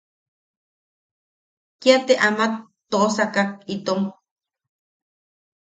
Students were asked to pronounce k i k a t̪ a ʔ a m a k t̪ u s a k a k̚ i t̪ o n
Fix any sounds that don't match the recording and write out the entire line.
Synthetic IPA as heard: k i a t̪ e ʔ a m a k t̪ o s a k a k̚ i t̪ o m

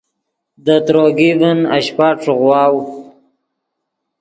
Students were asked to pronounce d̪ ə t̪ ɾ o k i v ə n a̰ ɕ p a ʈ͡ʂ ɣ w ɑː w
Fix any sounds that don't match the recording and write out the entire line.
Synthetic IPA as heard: d̪ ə t̪ ɾ o ɡ i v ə n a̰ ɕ p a ʈ͡ʂ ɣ w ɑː w

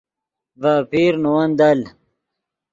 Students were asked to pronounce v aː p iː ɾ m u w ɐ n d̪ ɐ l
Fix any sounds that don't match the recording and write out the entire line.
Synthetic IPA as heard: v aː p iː ɾ n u w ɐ n d̪ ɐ l

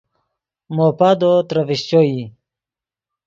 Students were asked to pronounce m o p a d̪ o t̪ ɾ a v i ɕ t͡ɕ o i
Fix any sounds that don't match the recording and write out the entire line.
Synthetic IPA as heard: m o p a d̪ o t̪ ɾ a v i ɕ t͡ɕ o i

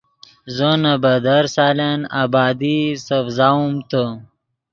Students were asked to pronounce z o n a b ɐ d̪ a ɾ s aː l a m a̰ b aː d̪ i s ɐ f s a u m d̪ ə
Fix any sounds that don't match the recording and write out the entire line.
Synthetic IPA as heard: z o n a b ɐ d̪ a ɾ s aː l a n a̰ b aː d̪ i s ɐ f z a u m t̪ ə

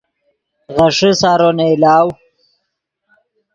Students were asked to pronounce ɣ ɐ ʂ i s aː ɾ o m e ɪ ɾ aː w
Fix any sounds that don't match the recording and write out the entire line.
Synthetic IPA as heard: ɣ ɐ ʂ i s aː ɾ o n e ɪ l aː w

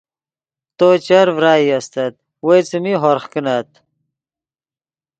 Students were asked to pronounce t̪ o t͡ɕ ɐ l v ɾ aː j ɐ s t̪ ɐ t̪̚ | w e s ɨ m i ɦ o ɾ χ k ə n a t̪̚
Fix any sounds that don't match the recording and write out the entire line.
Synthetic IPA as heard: t̪ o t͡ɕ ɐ ɾ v ɾ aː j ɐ s t̪ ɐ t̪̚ | w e t͡s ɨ m i ɦ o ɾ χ k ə n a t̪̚

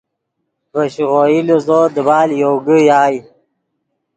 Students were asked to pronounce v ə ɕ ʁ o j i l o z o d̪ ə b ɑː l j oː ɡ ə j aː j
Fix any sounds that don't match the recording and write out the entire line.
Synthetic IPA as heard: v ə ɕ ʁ o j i l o z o d̪ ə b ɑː l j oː ɡ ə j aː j

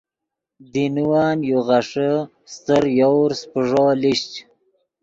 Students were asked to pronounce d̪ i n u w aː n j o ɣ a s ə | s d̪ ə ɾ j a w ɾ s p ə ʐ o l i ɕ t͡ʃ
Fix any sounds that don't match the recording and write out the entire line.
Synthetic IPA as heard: d̪ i n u w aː n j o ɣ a ʂ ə | s t̪ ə ɾ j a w ɾ s p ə ʐ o l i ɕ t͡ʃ

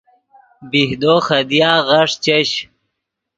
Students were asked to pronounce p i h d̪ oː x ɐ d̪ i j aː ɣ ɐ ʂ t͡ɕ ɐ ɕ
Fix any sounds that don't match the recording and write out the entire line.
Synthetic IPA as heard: b i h d̪ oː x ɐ d̪ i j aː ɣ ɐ ʂ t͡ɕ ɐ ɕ

